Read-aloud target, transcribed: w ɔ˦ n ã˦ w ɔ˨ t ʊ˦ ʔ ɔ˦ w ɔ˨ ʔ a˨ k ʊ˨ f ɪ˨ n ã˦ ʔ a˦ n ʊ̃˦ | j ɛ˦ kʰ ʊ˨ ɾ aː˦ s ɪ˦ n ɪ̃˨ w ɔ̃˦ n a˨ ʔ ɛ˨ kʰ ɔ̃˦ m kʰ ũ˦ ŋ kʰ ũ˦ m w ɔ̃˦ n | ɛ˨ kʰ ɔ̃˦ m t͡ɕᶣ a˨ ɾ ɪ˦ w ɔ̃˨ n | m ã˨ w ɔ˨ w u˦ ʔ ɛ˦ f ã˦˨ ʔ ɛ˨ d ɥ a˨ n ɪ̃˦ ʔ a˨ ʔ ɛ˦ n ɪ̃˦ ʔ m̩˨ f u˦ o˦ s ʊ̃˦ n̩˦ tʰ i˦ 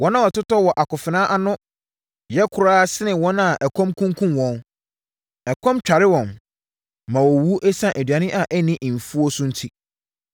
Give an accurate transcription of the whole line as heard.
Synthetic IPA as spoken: w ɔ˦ n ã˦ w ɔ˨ t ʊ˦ t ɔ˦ w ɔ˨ ʔ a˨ k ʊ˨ f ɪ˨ n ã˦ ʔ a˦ n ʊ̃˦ | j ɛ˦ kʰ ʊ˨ ɾ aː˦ s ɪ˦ n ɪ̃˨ w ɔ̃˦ n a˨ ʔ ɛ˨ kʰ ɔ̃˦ m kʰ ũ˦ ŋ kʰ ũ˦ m w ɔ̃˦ n | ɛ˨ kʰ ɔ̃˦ m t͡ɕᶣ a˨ ɾ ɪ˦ w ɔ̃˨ n | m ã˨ w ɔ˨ w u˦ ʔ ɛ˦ s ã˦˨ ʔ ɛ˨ d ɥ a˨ n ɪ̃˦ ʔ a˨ ʔ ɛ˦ n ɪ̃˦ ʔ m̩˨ f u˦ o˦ s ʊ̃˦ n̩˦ tʰ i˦

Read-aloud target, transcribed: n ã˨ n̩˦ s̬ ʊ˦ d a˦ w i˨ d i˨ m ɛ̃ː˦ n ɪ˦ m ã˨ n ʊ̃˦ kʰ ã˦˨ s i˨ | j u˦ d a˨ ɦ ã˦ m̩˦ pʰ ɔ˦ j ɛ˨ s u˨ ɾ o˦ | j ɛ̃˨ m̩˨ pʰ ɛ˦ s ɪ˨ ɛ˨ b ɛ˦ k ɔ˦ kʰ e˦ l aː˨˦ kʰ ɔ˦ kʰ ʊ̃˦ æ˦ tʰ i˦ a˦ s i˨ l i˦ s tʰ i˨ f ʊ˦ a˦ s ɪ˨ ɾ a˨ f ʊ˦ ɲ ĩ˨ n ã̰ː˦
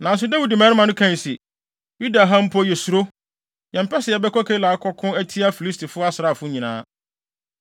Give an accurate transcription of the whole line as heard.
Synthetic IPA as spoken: n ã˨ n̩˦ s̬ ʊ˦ d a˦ w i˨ d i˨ m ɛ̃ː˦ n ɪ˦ m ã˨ n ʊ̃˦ kʰ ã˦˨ s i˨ | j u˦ d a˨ ɦ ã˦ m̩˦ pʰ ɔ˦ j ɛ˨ s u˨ ɾ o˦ | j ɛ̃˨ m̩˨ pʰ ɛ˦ s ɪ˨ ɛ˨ b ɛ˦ k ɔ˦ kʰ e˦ l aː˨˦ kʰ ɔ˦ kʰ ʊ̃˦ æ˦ tʰ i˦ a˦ f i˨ l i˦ s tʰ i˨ f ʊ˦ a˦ s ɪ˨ ɾ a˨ f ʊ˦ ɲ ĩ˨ n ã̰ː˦

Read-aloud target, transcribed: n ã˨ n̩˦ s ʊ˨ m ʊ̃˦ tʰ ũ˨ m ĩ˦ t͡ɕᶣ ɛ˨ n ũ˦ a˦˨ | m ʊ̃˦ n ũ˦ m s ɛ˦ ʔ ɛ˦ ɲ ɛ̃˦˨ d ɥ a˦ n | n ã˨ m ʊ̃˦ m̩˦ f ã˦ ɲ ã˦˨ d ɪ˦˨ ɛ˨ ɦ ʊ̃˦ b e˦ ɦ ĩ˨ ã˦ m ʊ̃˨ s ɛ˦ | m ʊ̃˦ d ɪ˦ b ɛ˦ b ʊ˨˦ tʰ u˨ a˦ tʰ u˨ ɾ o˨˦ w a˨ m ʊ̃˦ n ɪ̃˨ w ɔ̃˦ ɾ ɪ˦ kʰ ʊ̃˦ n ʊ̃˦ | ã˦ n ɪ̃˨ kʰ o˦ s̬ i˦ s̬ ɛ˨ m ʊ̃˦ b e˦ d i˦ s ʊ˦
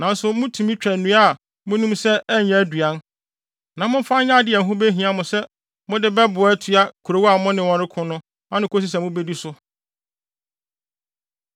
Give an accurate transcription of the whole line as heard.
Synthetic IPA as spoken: n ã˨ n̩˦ s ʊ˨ m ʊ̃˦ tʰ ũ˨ m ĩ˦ t͡ɕᶣ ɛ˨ n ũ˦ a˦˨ | m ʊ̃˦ n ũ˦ m s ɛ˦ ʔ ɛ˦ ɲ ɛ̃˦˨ d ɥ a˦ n | n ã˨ m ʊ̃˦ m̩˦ f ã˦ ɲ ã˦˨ d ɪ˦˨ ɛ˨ ɦ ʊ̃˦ b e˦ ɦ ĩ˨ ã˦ m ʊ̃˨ s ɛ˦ | m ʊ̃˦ d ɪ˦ b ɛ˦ b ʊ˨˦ tʰ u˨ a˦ kʰ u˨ ɾ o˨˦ w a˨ m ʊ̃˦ n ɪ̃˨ w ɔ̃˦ ɾ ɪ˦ kʰ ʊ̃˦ n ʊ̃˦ | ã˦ n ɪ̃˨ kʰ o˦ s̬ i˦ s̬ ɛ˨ m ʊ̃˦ b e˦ d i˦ s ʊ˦

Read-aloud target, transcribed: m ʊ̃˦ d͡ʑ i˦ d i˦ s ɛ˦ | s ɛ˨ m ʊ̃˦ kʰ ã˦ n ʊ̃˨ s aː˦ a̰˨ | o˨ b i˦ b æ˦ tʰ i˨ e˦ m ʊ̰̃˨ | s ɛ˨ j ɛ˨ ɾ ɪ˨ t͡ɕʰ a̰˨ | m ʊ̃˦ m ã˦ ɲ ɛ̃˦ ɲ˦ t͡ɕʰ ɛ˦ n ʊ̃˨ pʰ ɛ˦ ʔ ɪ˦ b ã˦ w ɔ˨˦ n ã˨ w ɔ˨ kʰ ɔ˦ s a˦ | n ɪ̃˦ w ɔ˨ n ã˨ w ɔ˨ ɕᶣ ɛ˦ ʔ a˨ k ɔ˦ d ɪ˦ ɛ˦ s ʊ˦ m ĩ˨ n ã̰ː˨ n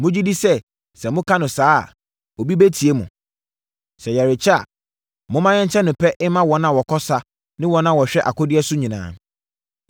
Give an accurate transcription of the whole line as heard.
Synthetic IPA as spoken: m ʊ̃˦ d͡ʑ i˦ d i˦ s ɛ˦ | s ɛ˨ m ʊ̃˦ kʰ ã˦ n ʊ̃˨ s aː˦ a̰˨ | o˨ b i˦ b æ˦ tʰ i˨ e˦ m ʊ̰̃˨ | s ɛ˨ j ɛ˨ ɾ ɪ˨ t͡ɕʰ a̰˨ | m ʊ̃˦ m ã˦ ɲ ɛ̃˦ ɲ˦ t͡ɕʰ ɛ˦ n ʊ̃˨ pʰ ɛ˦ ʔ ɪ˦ m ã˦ w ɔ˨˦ n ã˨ w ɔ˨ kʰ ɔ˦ s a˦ | n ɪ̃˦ w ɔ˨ n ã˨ w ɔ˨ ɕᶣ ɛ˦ ʔ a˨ k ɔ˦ d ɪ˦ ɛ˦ s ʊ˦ ɲ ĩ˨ n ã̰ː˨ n

